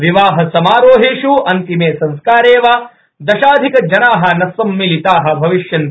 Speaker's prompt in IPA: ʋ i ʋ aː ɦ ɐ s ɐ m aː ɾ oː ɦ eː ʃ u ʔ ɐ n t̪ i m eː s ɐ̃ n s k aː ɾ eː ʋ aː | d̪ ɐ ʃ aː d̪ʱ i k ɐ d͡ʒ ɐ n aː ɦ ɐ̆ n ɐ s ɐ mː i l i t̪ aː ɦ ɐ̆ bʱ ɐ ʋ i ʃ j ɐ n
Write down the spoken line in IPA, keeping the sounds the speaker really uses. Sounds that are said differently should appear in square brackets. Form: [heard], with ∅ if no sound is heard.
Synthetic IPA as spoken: ʋ i ʋ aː ɦ ɐ s ɐ m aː ɾ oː ɦ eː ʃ u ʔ ɐ n t̪ i m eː s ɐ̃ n s k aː ɾ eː ʋ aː | d̪ ɐ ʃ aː d̪ʱ i k ɐ d͡ʒ ɐ n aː ɦ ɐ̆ n ɐ s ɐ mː i l i t̪ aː ɦ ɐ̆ bʱ ɐ ʋ i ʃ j ɐ n

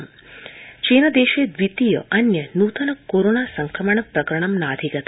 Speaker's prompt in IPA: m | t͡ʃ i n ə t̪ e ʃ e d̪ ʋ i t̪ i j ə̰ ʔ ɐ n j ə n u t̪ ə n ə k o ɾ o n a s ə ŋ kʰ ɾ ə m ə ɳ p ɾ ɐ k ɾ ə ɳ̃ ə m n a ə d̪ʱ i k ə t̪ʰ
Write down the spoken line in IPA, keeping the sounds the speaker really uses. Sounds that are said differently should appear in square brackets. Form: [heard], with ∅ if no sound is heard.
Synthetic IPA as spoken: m | t͡ʃ i n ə [d̪] e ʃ e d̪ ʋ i t̪ i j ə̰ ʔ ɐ n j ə n u t̪ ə n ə k o ɾ o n a s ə ŋ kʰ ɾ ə m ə ɳ p ɾ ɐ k ɾ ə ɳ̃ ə m n a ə d̪ʱ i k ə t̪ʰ

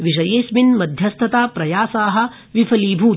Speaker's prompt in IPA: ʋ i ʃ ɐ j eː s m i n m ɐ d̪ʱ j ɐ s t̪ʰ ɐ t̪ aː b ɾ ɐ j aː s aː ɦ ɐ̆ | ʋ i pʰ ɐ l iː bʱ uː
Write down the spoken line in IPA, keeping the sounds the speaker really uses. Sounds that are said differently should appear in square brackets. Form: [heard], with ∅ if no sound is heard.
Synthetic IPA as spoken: ʋ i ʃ ɐ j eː s m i n m ɐ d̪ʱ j ɐ s t̪ʰ ɐ t̪ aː [p] ɾ ɐ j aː s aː ɦ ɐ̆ | ʋ i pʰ ɐ l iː bʱ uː

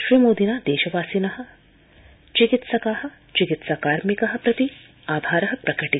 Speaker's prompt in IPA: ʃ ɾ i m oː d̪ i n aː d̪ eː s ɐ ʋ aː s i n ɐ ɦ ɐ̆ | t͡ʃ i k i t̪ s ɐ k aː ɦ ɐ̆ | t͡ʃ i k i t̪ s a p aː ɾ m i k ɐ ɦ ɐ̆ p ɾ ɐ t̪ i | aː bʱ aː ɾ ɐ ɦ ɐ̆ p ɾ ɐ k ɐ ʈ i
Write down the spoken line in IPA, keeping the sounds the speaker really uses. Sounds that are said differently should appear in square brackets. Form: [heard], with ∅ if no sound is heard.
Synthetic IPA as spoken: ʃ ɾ i m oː d̪ i n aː d̪ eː [ʃ] ɐ ʋ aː s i n ɐ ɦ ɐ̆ | t͡ʃ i k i t̪ s ɐ k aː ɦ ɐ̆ | t͡ʃ i k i t̪ s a [k] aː ɾ m i k ɐ ɦ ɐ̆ p ɾ ɐ t̪ i | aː bʱ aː ɾ ɐ ɦ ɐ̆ p ɾ ɐ k ɐ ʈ i

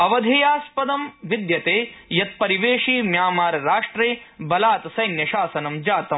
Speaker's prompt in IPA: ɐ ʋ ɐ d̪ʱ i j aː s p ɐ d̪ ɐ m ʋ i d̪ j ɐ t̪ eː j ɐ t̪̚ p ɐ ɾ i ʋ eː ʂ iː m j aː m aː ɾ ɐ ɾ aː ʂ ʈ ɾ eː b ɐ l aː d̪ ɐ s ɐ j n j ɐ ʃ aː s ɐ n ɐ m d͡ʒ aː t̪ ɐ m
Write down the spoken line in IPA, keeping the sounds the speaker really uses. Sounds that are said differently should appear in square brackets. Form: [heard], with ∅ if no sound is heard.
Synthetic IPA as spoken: ɐ ʋ ɐ d̪ʱ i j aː s p ɐ d̪ ɐ m ʋ i d̪ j ɐ t̪ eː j ɐ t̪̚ p ɐ ɾ i ʋ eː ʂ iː m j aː m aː ɾ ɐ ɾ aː ʂ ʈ ɾ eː b ɐ l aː [t̪] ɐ s ɐ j n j ɐ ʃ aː s ɐ n ɐ m d͡ʒ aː t̪ ɐ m

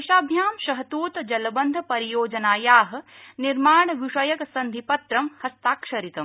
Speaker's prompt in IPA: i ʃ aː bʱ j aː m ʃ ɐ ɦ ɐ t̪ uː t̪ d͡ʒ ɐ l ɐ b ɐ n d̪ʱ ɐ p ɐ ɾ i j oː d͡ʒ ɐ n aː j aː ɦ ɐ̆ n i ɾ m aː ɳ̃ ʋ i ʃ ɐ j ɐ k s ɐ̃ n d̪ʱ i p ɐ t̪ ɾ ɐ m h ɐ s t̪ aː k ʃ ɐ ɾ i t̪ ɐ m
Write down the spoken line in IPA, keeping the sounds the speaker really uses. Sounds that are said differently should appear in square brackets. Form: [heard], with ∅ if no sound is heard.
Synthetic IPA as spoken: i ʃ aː bʱ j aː m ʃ ɐ ɦ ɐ t̪ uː t̪ d͡ʒ ɐ l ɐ b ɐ n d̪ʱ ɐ p ɐ ɾ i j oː d͡ʒ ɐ n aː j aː ɦ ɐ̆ n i ɾ m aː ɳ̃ ʋ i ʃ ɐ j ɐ k s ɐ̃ n d̪ʱ i p ɐ t̪ ɾ ɐ m h ɐ s t̪ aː k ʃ ɐ ɾ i t̪ ɐ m

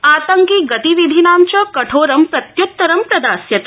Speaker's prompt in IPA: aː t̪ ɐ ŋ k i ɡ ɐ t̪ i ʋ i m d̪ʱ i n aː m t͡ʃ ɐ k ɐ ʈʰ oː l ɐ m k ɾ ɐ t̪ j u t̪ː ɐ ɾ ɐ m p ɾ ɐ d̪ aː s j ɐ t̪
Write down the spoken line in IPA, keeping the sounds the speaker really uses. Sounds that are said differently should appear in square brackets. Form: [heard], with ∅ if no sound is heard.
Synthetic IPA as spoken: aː t̪ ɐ ŋ k i ɡ ɐ t̪ i ʋ i [∅] d̪ʱ i n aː m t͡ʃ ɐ k ɐ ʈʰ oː [ɾ] ɐ m [p] ɾ ɐ t̪ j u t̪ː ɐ ɾ ɐ m p ɾ ɐ d̪ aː s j ɐ t̪

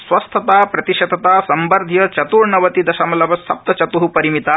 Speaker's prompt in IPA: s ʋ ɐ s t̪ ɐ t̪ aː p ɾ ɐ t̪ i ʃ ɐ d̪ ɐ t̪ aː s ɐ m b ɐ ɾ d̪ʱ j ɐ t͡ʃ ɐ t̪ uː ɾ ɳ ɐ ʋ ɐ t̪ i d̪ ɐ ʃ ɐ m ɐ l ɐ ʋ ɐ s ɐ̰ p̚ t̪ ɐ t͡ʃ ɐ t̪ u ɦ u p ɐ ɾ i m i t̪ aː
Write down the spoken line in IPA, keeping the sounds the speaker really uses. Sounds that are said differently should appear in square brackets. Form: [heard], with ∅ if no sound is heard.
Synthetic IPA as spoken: s ʋ ɐ s [t̪ʰ] ɐ t̪ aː p ɾ ɐ t̪ i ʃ ɐ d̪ ɐ t̪ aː s ɐ m b ɐ ɾ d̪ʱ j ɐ t͡ʃ ɐ t̪ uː ɾ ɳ ɐ ʋ ɐ t̪ i d̪ ɐ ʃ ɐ m ɐ l ɐ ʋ ɐ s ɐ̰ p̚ t̪ ɐ t͡ʃ ɐ t̪ u ɦ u p ɐ ɾ i m i t̪ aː

